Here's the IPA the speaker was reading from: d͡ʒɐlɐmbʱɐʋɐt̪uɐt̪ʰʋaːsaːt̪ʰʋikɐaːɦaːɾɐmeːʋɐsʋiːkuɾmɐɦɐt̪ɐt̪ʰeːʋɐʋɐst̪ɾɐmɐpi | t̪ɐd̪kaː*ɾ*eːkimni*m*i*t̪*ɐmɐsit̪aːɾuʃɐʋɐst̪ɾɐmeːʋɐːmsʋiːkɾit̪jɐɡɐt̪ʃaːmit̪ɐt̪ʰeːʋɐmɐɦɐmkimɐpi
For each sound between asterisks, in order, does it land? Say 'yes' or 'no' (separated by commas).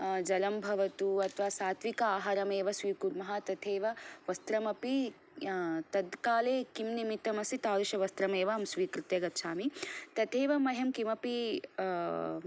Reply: no, yes, yes